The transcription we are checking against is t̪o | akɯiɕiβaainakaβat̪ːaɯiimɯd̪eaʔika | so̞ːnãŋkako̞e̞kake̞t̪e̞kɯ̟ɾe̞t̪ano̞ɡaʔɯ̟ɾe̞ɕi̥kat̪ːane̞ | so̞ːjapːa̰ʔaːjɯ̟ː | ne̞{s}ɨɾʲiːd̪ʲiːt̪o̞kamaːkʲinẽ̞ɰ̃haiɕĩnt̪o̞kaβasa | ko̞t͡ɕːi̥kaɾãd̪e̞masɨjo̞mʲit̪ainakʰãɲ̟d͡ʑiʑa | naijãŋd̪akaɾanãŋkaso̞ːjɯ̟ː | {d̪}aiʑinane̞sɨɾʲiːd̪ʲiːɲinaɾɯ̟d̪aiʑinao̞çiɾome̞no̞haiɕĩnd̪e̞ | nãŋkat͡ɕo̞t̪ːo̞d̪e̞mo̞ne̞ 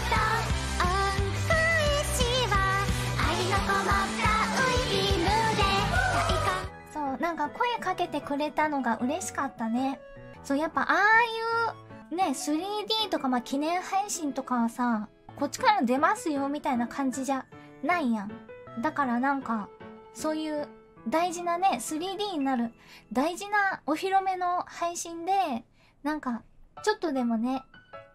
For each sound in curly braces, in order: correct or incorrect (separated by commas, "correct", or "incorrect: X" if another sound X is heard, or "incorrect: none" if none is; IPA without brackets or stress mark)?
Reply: correct, correct